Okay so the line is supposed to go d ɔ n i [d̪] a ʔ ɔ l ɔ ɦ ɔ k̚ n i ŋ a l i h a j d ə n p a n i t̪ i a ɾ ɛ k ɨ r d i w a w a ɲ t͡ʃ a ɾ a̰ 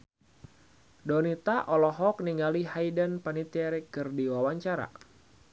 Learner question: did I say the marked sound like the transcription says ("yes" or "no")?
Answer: no